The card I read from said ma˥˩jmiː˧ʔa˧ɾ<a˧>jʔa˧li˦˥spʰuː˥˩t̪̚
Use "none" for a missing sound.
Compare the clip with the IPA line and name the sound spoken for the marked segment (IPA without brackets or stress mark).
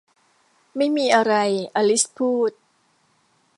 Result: a˧